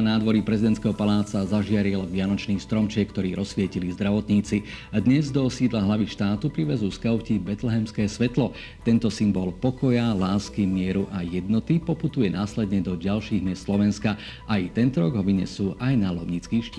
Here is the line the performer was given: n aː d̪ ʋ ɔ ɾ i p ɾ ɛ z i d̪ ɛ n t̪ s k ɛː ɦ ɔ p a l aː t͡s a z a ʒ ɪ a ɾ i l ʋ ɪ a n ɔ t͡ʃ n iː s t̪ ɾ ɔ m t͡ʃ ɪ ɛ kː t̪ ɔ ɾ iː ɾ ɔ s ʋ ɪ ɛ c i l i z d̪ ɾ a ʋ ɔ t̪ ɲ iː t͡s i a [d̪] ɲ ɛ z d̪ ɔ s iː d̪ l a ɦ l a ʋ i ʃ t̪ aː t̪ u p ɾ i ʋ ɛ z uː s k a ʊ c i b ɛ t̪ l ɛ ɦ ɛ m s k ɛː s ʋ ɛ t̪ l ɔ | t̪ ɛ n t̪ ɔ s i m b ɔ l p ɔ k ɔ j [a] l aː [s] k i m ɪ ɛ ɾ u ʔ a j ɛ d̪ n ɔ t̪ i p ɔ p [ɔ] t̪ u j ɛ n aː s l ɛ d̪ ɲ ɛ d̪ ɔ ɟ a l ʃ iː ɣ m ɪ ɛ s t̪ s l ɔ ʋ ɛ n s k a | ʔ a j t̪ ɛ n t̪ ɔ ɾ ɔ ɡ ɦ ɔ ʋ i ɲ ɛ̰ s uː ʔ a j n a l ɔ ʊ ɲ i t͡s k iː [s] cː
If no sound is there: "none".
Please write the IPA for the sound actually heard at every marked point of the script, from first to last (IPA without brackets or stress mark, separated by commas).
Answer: d̪, a, s, u, ʃ